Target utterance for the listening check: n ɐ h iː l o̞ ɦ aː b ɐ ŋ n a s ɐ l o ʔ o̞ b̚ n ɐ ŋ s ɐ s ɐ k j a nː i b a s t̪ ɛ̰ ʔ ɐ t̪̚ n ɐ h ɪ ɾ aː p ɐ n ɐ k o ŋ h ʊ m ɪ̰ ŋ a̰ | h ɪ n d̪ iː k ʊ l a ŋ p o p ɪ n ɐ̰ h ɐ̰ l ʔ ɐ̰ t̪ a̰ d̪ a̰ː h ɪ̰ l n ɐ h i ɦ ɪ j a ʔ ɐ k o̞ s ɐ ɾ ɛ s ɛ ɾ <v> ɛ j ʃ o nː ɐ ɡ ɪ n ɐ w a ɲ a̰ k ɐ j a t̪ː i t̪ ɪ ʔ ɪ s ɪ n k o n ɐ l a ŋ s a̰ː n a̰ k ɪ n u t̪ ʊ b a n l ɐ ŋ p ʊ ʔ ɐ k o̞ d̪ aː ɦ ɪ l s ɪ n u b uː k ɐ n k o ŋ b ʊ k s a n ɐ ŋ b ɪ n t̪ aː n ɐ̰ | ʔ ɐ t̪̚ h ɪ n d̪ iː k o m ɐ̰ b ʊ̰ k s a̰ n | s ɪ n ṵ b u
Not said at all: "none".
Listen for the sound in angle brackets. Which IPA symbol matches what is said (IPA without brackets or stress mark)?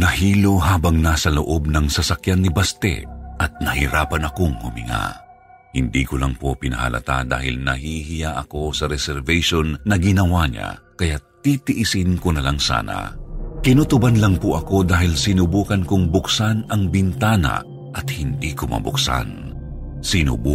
v